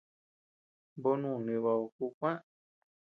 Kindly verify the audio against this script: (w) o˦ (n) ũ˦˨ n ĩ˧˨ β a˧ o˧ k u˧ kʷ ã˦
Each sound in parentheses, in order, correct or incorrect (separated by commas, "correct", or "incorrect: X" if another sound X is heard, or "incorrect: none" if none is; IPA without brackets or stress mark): incorrect: b, correct